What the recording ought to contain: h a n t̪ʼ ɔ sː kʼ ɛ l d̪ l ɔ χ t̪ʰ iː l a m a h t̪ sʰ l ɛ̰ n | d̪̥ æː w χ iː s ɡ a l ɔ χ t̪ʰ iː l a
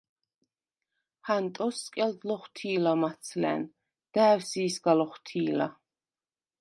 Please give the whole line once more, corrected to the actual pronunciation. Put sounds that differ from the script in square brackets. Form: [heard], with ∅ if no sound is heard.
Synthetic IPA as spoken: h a n t̪ʼ ɔ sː kʼ ɛ l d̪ l ɔ χ t̪ʰ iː l a m a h t̪ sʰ l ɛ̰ n | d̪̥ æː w [s] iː s ɡ a l ɔ χ t̪ʰ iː l a